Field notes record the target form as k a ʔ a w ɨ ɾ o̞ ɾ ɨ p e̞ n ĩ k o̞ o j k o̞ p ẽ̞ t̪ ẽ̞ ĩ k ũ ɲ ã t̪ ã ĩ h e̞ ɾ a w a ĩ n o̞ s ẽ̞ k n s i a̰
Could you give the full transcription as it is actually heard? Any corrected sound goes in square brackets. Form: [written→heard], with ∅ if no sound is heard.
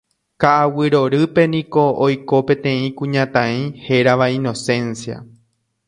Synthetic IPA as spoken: k a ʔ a w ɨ ɾ o̞ ɾ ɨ p e̞ n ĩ k o̞ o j k o̞ p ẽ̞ t̪ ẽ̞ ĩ k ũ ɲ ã t̪ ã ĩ h e̞ ɾ a [w→ʋ] a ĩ n o̞ s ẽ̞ [k→∅] n s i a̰